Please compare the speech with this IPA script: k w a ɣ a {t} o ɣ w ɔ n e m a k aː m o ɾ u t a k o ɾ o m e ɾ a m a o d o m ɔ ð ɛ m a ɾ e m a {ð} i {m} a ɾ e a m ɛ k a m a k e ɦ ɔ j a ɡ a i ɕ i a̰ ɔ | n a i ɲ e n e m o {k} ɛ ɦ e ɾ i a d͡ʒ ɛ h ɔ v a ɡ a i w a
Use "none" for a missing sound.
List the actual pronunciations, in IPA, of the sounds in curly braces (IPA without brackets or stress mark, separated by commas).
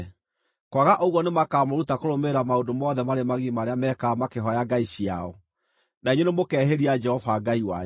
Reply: ʔ, ɣ, m, k